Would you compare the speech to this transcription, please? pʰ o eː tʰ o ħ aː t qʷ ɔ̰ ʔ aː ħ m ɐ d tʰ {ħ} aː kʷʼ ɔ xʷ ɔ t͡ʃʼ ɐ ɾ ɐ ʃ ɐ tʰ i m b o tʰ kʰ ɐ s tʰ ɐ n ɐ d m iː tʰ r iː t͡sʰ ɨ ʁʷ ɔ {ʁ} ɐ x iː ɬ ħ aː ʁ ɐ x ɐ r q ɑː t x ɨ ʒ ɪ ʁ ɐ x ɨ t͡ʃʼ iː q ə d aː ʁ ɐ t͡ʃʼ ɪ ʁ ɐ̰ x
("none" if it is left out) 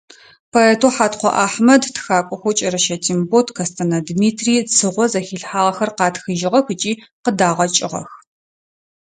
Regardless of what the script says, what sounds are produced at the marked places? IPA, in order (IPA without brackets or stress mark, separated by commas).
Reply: x, z